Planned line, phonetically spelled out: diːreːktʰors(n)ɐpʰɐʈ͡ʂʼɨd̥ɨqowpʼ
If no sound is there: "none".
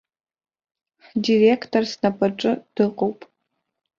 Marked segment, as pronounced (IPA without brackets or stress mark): n